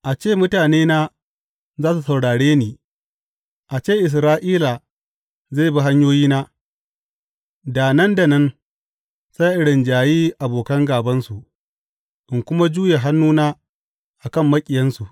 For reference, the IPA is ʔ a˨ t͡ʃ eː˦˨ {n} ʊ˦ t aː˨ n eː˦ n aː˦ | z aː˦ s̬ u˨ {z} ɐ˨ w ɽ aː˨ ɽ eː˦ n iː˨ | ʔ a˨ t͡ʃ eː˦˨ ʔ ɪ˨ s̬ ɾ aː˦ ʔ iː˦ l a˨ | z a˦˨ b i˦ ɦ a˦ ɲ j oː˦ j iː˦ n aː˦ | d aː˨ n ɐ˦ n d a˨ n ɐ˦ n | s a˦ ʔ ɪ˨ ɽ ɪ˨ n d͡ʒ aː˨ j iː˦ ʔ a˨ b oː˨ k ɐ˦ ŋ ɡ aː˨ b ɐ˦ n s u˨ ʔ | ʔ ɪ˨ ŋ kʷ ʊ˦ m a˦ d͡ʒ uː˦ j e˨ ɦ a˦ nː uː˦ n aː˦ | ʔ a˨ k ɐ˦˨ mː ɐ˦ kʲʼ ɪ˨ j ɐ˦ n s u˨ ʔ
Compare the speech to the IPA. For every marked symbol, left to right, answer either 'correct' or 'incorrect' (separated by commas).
incorrect, incorrect